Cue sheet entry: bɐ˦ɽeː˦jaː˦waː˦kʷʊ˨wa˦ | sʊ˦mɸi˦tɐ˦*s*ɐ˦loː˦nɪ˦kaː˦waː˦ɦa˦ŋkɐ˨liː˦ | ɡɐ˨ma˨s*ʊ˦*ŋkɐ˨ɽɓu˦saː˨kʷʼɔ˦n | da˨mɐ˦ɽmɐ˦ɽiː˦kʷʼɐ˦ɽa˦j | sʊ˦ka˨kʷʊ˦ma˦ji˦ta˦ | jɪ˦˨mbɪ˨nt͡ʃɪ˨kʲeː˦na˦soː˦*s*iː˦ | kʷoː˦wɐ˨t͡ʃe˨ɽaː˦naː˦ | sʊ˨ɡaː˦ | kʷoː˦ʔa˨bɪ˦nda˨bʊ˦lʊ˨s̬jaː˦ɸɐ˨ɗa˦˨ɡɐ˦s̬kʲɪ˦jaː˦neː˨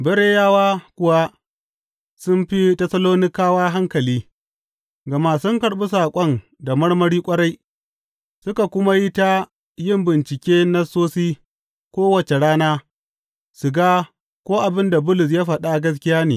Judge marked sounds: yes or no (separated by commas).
yes, yes, yes